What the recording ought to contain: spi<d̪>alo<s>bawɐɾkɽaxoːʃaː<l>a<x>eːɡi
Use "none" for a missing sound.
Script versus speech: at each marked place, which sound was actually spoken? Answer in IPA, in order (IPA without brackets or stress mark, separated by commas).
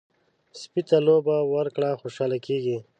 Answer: t̪, none, l, k